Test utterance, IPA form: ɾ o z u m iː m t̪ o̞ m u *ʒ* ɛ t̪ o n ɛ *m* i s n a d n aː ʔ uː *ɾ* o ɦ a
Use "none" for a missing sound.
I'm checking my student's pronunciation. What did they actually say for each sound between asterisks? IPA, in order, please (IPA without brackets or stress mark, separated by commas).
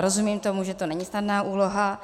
ʒ, ɲ, l